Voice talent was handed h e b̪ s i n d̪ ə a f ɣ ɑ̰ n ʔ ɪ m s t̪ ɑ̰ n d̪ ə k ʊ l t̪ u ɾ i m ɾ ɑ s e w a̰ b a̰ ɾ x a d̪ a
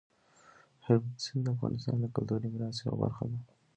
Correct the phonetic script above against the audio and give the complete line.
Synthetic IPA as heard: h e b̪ s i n d̪ ə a f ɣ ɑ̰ n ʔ ɪ s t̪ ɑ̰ n d̪ ə k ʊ l t̪ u ɾ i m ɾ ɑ s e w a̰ b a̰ ɾ x a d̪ a